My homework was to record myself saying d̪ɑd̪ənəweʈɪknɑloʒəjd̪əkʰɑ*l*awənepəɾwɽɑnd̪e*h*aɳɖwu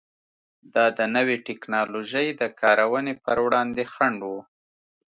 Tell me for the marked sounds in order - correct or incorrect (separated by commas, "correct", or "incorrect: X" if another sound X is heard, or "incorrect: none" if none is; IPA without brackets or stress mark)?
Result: incorrect: ɾ, incorrect: x